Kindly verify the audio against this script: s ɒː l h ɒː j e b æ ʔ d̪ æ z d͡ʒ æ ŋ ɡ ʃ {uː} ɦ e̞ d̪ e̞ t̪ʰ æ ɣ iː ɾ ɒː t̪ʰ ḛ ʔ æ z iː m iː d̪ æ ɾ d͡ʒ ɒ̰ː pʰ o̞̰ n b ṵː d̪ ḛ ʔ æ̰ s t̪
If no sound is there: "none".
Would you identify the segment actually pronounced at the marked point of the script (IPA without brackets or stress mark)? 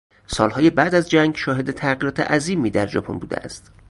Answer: ɒː